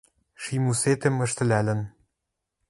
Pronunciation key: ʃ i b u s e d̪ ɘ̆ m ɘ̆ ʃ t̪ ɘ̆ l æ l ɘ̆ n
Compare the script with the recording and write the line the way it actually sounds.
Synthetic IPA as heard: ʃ i m u s e t̪ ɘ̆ m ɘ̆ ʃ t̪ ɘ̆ l æ l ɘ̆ n